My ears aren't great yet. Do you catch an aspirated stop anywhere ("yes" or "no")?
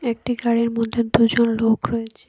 yes